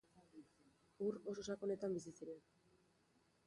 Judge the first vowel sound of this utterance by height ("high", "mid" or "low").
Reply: high